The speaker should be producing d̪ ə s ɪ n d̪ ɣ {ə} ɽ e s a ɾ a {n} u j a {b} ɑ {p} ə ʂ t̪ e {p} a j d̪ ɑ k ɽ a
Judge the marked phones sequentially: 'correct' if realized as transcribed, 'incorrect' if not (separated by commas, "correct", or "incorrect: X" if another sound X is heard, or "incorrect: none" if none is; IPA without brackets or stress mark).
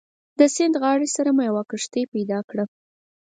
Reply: incorrect: ɑ, incorrect: m, incorrect: w, incorrect: k, correct